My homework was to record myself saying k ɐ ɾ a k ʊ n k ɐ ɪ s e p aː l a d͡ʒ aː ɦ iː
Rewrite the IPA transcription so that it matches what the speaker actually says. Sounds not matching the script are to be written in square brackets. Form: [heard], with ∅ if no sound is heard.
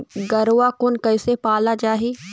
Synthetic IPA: [ɡ] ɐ ɾ a k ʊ n k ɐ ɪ s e p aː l a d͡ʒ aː ɦ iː